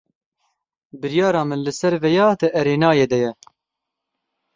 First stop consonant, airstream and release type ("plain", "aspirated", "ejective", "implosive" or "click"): plain